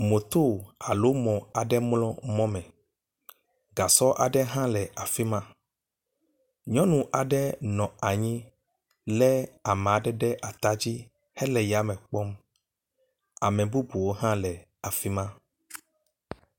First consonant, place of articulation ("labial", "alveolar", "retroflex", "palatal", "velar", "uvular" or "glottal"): labial